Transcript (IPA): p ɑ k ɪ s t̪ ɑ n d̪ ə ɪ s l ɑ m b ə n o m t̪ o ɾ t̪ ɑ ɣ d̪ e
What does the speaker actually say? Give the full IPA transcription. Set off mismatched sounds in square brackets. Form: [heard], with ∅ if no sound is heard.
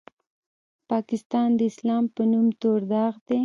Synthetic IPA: p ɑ k ɪ s t̪ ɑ n d̪ ə ɪ s l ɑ m [p] ə n [u] m t̪ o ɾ [d̪] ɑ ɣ d̪ e